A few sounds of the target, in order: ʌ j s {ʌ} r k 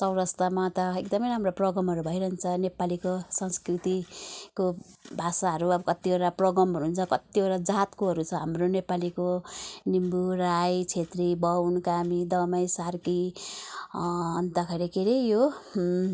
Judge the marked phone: incorrect: a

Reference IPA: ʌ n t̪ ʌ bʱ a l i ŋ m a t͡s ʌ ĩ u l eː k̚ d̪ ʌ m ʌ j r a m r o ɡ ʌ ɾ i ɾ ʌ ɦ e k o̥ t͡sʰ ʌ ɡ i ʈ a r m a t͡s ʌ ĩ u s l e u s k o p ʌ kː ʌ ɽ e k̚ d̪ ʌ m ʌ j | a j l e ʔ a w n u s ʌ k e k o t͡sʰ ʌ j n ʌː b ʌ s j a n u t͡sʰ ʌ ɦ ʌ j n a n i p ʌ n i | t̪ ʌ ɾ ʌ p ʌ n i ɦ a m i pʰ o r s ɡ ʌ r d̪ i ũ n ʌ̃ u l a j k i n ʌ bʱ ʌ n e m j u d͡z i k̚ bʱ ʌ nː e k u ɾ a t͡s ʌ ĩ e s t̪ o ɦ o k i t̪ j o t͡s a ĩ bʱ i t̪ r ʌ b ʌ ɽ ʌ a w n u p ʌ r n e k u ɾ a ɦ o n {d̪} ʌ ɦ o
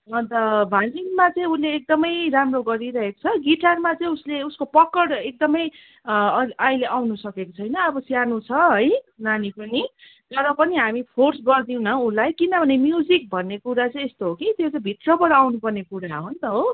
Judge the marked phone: incorrect: t̪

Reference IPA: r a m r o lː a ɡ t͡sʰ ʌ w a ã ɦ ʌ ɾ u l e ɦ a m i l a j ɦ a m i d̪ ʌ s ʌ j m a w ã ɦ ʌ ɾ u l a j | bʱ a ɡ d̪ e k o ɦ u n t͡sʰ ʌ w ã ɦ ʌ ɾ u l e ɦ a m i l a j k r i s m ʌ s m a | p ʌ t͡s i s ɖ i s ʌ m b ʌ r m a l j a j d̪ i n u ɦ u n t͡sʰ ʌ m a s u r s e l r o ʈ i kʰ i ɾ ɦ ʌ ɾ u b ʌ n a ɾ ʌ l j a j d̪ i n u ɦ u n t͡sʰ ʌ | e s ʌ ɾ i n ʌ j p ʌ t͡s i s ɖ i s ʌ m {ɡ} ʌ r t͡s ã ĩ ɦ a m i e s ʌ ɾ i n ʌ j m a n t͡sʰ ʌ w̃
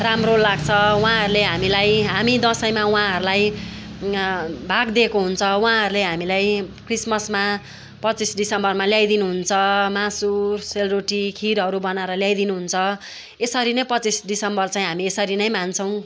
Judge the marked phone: incorrect: b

